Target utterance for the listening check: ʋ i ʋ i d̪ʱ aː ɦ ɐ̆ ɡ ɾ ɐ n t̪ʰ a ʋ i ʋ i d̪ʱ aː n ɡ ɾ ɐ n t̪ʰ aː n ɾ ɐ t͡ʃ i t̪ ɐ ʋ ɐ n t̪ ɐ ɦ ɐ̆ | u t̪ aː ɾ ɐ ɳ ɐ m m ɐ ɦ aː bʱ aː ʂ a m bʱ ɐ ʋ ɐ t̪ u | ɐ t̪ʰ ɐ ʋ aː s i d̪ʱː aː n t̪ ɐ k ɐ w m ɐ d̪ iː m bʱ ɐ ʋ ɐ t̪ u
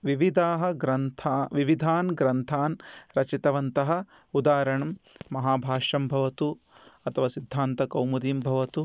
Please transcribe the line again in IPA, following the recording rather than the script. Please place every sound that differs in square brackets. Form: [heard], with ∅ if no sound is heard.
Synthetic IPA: ʋ i ʋ i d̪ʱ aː ɦ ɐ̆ ɡ ɾ ɐ n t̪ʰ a ʋ i ʋ i d̪ʱ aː n ɡ ɾ ɐ n t̪ʰ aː n ɾ ɐ t͡ʃ i t̪ ɐ ʋ ɐ n t̪ ɐ ɦ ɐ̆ | u [d̪] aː ɾ ɐ ɳ ɐ m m ɐ ɦ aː bʱ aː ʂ [ɐ] m bʱ ɐ ʋ ɐ t̪ u | ɐ t̪ʰ ɐ ʋ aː s i d̪ʱː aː n t̪ ɐ k ɐ w m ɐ d̪ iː m bʱ ɐ ʋ ɐ t̪ u